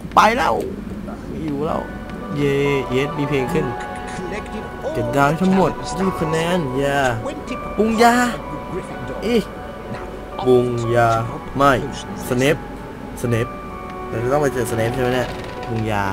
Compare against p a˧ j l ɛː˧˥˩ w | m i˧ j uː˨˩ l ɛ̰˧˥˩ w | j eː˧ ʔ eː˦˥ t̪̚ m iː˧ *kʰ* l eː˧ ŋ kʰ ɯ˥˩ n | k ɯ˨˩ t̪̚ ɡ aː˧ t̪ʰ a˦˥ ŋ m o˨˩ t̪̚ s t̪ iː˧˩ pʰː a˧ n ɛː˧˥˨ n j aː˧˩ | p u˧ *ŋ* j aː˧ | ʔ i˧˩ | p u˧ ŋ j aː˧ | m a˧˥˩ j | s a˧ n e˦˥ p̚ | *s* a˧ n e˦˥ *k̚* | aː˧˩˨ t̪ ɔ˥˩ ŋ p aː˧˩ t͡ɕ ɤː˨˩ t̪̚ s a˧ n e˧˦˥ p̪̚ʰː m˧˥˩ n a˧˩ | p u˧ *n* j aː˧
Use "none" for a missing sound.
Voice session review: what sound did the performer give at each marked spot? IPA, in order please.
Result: pʰ, ŋ, s, p̚, ŋ

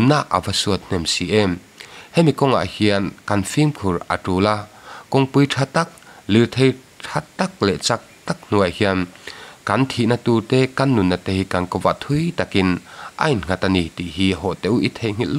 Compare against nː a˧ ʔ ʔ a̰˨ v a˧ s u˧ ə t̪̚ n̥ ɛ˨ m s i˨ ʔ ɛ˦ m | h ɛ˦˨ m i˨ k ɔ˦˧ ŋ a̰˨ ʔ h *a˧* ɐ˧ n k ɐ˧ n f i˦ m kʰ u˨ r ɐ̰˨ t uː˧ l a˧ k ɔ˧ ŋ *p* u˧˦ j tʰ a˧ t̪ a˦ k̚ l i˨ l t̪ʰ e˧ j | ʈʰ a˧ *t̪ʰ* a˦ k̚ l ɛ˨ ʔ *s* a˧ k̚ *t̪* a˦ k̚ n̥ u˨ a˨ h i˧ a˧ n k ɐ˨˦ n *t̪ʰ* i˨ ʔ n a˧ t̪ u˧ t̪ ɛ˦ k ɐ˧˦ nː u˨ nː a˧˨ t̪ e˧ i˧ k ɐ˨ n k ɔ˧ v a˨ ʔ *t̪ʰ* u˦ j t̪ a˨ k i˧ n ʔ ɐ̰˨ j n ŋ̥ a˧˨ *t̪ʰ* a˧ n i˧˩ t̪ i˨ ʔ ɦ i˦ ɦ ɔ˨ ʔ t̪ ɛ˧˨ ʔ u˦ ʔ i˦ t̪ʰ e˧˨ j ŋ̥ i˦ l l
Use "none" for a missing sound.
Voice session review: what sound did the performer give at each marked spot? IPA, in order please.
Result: i˧, p, t̪, t͡s, t̪, t̪ʰ, t̪ʰ, t̪

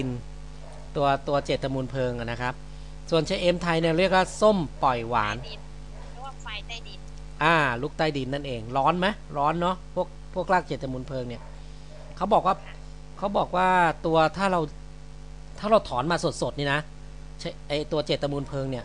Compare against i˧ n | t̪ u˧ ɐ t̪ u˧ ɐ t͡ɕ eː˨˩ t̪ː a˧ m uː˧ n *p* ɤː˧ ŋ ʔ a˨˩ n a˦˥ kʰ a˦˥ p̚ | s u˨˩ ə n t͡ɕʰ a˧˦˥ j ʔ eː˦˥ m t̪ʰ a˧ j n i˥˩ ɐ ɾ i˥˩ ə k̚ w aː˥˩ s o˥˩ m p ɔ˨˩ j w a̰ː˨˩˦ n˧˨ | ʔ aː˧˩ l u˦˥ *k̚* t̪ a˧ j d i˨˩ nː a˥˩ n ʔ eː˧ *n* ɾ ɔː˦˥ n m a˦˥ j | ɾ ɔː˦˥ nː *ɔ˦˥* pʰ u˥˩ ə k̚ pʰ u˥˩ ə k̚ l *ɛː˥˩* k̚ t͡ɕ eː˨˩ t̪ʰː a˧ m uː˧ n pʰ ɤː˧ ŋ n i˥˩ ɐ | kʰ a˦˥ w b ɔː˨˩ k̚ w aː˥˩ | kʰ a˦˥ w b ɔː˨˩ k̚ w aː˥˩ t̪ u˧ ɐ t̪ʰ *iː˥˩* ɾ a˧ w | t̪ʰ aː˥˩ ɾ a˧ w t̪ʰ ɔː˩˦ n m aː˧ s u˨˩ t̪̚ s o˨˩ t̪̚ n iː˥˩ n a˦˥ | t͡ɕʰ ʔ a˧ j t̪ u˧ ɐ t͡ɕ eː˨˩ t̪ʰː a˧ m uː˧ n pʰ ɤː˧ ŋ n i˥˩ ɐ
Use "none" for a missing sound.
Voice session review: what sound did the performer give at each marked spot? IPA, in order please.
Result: pʰ, k̚, ŋ, ɔ˦˥, aː˥˩, aː˥˩

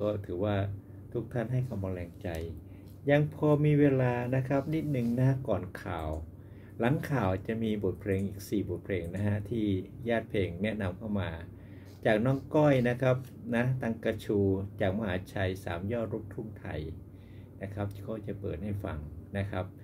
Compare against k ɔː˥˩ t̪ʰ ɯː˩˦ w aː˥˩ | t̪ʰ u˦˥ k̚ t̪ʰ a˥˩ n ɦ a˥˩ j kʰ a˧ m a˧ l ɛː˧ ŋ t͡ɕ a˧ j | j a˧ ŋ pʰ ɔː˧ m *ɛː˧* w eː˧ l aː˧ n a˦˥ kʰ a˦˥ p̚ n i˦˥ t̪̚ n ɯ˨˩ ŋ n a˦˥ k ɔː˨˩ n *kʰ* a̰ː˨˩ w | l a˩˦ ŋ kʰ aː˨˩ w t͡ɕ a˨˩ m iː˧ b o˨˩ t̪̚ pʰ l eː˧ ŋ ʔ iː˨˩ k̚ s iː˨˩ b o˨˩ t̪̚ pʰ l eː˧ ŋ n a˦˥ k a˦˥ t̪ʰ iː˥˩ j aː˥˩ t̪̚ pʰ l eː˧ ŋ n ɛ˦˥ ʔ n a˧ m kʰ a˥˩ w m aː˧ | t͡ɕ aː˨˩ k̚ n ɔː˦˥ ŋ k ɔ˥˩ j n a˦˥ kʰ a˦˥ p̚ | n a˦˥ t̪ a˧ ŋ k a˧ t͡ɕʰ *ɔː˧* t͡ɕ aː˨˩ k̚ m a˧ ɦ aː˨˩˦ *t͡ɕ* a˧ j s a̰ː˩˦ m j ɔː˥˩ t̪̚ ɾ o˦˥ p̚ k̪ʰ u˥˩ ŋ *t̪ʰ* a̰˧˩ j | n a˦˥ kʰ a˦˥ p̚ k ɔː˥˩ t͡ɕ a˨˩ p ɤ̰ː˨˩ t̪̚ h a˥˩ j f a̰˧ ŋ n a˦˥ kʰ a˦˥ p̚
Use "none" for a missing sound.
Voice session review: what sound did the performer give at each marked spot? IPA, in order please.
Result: iː˧, kʰ, uː˧, t͡ɕʰ, t̪ʰ

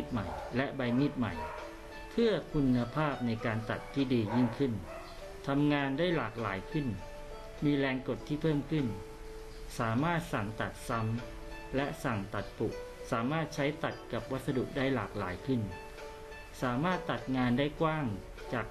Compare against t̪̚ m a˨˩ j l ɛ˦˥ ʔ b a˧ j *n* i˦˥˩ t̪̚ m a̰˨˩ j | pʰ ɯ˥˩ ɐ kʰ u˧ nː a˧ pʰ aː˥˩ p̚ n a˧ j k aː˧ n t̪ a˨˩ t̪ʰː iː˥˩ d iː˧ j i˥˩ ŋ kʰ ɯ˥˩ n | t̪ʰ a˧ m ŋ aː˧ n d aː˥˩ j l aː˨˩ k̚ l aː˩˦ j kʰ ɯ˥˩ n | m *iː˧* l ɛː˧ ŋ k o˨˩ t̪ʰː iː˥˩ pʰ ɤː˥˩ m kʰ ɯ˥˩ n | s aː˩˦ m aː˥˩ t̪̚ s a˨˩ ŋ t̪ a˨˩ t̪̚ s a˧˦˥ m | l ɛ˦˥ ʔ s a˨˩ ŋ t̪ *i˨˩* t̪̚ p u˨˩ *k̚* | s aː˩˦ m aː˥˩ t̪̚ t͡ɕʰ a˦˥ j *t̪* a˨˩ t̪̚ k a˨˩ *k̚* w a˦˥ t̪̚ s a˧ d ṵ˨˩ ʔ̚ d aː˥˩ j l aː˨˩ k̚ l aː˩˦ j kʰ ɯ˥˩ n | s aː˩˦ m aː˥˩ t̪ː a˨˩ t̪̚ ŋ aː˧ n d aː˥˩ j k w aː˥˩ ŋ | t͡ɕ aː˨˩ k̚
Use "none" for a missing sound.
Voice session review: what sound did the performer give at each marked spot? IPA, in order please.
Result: m, iː˧, a˨˩, k̚, t̪, p̚

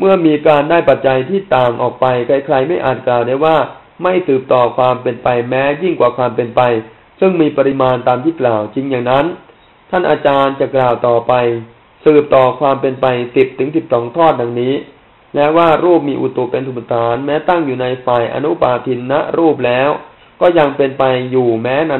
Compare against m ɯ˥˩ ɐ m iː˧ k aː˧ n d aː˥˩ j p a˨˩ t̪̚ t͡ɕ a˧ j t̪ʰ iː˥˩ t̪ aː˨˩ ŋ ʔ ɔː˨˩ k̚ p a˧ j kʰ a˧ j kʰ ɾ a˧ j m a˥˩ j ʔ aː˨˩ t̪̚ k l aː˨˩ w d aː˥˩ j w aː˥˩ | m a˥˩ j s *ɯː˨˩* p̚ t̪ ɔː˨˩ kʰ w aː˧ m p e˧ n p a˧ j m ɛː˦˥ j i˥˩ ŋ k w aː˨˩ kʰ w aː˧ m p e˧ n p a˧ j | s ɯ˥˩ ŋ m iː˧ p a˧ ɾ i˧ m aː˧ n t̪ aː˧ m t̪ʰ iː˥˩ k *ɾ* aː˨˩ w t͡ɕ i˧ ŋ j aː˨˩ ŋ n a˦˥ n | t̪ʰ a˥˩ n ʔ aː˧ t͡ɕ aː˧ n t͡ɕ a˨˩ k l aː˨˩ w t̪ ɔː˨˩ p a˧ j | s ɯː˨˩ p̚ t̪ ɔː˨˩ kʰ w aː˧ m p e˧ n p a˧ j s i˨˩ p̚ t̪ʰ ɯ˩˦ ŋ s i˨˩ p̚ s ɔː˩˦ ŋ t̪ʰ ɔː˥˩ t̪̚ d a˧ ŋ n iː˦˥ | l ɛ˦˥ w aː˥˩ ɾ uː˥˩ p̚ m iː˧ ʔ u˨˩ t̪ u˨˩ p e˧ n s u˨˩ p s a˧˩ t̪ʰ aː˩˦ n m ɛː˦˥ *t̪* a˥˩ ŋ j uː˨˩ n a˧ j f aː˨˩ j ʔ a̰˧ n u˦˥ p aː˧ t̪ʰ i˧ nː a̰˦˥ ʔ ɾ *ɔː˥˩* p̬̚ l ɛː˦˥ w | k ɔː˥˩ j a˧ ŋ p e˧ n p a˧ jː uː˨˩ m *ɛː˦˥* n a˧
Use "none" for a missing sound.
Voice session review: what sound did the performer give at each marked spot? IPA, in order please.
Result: ɯː˨˩, l, t̪, uː˥˩, ɛː˦˥

